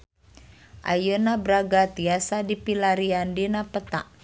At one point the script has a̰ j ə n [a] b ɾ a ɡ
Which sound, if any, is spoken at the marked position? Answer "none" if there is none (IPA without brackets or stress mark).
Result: a